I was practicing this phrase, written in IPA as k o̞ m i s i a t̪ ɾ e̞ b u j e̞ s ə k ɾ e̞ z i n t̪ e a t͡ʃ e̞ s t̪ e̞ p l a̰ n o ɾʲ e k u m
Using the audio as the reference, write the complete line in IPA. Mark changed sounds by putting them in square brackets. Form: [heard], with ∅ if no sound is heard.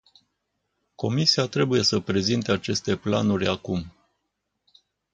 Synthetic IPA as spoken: k o̞ m i s i a t̪ ɾ e̞ b u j e̞ s ə [p] ɾ e̞ z i n t̪ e a t͡ʃ e̞ s t̪ e̞ p l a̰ n [u] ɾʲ [a] k u m